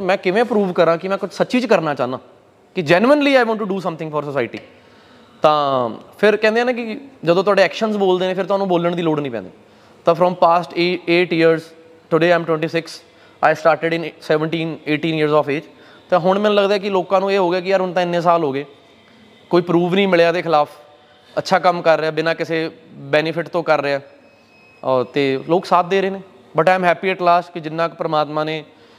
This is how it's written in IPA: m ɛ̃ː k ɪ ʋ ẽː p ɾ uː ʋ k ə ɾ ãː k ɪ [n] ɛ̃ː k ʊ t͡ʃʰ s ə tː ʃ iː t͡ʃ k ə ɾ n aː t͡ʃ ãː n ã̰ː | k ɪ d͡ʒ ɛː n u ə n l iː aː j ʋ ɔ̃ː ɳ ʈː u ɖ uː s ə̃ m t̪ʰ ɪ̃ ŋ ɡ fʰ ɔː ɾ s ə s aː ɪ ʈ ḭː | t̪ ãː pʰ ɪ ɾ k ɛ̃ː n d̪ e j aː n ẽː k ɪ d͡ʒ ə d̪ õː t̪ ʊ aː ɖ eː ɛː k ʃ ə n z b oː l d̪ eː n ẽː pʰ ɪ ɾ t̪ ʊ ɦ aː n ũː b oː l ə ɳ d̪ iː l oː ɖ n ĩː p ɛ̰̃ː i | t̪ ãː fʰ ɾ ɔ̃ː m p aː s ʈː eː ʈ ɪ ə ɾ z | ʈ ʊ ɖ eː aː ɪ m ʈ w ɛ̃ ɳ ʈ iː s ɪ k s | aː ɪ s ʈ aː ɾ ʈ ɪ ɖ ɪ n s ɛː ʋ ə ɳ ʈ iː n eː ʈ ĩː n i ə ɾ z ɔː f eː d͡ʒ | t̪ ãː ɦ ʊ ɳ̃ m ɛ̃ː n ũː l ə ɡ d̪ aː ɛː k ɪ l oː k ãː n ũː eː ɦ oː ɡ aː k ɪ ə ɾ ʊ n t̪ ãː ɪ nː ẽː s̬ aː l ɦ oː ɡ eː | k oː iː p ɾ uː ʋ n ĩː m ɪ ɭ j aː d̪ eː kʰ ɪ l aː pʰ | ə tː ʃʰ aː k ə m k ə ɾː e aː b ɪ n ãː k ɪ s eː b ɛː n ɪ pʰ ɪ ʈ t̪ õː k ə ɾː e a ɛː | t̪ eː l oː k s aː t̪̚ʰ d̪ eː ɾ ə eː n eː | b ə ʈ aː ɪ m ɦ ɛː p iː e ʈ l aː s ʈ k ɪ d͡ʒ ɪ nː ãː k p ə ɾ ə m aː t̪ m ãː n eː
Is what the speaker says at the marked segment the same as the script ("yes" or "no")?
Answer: no